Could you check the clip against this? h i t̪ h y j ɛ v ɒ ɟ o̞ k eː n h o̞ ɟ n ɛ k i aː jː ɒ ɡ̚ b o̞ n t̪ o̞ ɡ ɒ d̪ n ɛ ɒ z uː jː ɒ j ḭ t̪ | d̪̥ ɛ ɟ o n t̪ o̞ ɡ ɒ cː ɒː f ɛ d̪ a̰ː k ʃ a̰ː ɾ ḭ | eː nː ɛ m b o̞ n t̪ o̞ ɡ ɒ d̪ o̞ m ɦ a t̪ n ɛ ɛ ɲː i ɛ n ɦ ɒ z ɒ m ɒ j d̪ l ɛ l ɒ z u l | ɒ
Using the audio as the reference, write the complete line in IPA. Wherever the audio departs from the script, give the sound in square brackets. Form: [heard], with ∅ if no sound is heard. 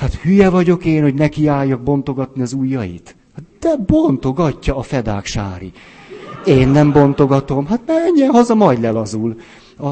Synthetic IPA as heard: h [a] t̪ h y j ɛ v ɒ ɟ o̞ k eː n h o̞ ɟ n ɛ k i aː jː ɒ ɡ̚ b o̞ n t̪ o̞ ɡ ɒ [t̪] n [i] ɒ z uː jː ɒ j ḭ t̪ | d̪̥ ɛ [b] o n t̪ o̞ ɡ ɒ cː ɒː f ɛ d̪ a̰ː k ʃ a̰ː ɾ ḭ | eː nː ɛ m b o̞ n t̪ o̞ ɡ ɒ [t̪] o̞ m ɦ a t̪ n ɛ ɛ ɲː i ɛ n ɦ ɒ z ɒ m ɒ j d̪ l ɛ l ɒ z u l | ɒ